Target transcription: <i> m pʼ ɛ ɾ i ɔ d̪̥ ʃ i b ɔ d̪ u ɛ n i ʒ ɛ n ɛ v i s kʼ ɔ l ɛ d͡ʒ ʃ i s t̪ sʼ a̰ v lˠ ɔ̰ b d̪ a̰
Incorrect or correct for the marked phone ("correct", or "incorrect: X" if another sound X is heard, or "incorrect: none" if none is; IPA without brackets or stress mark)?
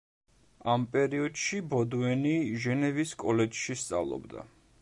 incorrect: a